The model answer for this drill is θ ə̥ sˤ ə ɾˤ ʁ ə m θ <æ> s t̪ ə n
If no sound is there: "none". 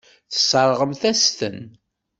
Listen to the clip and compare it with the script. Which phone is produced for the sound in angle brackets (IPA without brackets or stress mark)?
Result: æ